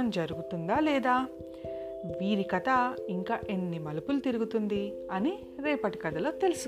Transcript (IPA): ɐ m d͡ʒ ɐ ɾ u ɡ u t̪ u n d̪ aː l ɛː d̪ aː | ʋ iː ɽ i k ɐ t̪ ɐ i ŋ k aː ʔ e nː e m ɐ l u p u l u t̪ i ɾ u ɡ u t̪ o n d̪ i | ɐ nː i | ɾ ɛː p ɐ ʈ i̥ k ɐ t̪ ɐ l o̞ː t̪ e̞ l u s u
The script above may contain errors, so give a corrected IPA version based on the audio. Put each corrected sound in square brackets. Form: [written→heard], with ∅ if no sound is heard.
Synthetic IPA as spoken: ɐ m d͡ʒ ɐ ɾ u ɡ u t̪ u n d̪ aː l ɛː d̪ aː | ʋ iː [ɽ→ɾ] i k ɐ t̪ ɐ i ŋ k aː ʔ e nː [e→i] m ɐ l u p u l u t̪ i ɾ u ɡ u t̪ [o→u] n d̪ i | ɐ [nː→n] i | ɾ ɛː p ɐ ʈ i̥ k ɐ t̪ ɐ l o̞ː t̪ e̞ l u s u